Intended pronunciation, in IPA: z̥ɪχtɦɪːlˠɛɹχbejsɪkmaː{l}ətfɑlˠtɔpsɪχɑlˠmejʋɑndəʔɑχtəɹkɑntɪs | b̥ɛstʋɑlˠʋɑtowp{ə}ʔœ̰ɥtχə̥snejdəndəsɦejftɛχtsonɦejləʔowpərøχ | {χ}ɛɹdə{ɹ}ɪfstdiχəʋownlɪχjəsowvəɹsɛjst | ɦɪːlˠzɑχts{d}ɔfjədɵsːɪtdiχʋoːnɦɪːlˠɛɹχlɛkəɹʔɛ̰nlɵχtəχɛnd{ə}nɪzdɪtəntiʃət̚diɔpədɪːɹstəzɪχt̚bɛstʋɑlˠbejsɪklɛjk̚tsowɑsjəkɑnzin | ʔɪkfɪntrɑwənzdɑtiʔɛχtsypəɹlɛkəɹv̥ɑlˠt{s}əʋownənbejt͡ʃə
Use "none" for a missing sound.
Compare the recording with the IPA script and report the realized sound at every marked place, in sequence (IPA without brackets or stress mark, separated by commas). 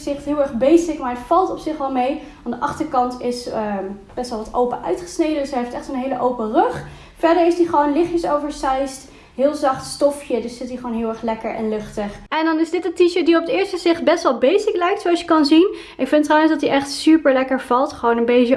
ɹ, ə, f, ɹ, t, ɑ, χ